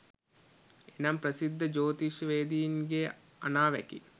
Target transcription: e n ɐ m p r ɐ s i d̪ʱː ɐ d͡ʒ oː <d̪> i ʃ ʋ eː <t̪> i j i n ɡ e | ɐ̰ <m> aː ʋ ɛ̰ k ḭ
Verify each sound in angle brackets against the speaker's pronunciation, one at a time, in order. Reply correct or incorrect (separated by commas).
incorrect, incorrect, incorrect